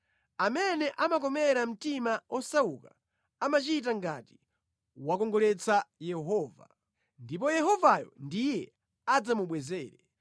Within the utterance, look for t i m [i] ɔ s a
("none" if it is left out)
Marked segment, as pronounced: a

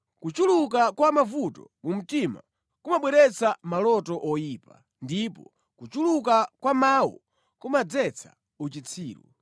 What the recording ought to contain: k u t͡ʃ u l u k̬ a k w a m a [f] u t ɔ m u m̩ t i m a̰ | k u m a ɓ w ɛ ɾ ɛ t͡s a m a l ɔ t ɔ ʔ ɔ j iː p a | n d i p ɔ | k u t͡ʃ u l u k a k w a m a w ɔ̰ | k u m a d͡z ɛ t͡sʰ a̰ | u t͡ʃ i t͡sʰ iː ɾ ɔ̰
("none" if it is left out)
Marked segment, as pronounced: v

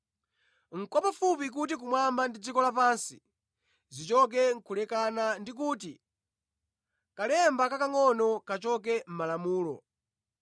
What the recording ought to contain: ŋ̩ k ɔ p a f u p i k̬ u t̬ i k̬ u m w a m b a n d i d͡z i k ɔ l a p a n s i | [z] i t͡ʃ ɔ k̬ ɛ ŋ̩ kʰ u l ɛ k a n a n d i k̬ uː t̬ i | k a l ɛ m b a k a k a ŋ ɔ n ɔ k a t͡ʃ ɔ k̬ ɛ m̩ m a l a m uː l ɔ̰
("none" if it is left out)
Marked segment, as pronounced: z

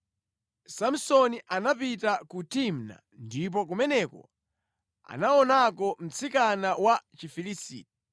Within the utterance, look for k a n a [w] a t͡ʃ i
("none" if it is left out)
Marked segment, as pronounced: w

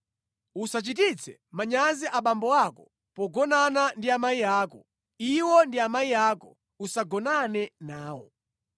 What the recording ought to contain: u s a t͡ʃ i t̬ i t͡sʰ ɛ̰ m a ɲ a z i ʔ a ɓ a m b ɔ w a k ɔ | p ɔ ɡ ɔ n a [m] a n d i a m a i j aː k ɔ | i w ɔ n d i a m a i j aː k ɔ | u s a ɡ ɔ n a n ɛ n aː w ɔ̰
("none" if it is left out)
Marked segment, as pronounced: n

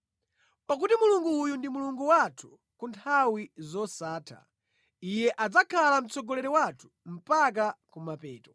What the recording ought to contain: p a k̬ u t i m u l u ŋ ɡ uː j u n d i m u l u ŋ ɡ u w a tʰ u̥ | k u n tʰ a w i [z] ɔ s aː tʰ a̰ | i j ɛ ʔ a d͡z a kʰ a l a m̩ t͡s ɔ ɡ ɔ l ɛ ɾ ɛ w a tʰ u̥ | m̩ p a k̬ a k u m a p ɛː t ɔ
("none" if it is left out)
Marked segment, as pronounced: z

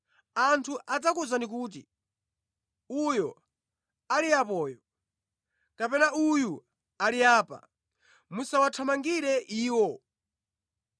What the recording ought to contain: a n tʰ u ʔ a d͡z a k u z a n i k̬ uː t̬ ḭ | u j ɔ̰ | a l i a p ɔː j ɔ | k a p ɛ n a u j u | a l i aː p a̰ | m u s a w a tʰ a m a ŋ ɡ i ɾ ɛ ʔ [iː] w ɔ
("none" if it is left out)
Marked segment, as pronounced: iː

